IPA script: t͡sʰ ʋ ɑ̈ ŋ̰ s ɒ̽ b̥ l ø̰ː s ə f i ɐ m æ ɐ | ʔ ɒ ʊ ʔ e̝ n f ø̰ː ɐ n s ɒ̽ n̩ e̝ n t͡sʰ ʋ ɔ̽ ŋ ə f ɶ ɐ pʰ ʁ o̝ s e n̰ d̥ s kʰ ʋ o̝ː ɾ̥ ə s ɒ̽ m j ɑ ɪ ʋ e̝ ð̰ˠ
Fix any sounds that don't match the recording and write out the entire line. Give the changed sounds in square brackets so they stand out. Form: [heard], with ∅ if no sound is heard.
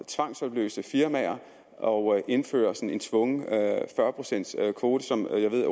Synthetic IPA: t͡sʰ ʋ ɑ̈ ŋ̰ s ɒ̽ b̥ l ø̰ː s ə f i ɐ m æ ɐ | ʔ ɒ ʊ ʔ e̝ n f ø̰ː ɐ [∅] s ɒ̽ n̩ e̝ n t͡sʰ ʋ ɔ̽ ŋ ə f ɶ ɐ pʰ ʁ o̝ s e n̰ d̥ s kʰ ʋ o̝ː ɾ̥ ə s ɒ̽ m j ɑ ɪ ʋ e̝ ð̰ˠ